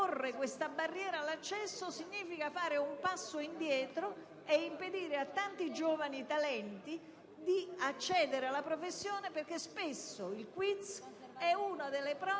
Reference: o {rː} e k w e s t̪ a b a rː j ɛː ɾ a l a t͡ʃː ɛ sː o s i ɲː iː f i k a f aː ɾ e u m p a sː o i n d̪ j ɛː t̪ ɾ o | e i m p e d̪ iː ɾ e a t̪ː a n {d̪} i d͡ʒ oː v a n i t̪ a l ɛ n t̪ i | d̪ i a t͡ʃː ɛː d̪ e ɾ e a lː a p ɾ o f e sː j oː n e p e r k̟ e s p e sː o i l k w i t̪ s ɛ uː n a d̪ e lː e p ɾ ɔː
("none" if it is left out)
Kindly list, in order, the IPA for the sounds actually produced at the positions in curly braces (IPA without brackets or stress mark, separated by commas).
rː, t̪